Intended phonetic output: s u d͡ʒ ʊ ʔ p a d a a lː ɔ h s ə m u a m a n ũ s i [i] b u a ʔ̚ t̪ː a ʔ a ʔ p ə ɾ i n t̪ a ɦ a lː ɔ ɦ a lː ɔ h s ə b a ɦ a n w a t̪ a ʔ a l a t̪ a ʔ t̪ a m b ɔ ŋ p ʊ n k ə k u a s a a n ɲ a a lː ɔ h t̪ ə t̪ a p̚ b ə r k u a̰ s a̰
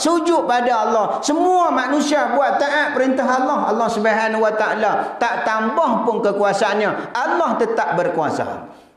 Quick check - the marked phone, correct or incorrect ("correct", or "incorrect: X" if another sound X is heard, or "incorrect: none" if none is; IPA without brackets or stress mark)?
incorrect: a